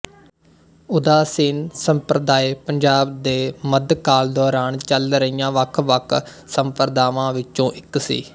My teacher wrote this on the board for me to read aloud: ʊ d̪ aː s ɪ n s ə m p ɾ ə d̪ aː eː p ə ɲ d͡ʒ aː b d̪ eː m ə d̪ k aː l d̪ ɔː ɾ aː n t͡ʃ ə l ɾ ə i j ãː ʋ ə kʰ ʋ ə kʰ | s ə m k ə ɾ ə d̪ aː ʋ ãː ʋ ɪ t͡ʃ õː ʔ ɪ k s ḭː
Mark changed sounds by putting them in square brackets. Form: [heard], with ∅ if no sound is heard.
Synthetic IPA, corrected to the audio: ʊ d̪ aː s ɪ n s ə m p ɾ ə d̪ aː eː p ə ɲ d͡ʒ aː b d̪ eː m ə d̪ k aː l d̪ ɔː ɾ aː n t͡ʃ ə l ɾ ə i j ãː ʋ ə kʰ ʋ ə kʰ | s ə m [p] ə ɾ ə d̪ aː ʋ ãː ʋ ɪ t͡ʃ õː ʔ ɪ k s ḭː